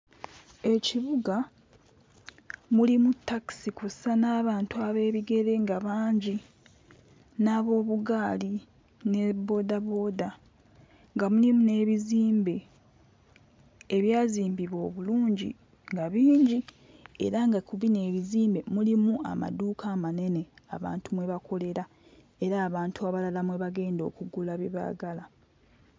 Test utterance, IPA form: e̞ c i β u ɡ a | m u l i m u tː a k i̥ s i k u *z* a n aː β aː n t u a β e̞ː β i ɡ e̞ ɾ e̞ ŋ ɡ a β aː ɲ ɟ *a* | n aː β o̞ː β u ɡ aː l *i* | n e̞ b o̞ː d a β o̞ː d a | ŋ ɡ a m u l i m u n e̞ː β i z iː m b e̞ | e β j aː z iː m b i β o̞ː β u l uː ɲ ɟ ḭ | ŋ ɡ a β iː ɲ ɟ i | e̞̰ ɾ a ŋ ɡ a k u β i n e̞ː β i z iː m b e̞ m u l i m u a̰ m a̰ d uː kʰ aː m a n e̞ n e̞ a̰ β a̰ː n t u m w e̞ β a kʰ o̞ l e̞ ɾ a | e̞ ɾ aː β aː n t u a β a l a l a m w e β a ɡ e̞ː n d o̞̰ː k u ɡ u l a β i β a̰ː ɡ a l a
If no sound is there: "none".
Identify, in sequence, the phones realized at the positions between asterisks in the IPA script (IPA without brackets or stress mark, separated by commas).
s, i, i